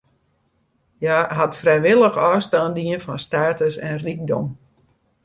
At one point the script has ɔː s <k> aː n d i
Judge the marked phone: incorrect: t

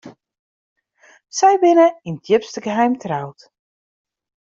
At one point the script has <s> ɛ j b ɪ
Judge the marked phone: correct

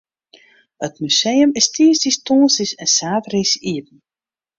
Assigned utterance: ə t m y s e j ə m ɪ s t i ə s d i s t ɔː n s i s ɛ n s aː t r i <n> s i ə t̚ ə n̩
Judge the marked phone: incorrect: none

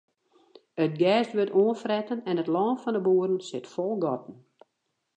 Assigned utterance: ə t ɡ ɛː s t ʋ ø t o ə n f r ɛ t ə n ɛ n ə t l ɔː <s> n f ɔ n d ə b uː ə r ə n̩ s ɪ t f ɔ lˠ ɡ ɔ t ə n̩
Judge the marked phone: incorrect: none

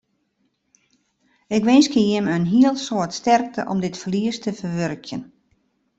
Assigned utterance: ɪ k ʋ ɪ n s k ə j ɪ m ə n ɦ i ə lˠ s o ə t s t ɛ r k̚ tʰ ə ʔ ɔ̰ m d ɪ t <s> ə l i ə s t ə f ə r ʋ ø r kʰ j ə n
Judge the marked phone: incorrect: f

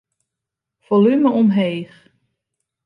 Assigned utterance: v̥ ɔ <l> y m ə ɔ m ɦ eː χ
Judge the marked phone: correct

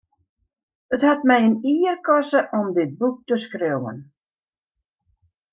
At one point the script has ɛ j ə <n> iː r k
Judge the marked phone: correct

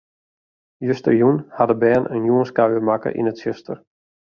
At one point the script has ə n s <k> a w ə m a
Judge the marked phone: correct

